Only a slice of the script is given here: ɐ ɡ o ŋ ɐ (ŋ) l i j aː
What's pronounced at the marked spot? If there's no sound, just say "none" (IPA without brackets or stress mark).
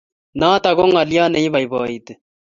none